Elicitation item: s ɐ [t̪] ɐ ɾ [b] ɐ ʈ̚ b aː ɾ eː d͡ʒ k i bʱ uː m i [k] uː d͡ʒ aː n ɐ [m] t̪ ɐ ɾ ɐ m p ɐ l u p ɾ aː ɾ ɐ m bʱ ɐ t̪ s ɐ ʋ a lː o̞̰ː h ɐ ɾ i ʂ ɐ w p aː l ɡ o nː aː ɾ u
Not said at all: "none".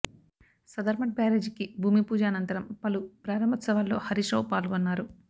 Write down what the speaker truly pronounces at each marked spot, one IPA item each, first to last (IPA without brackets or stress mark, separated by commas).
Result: d̪, m, p, n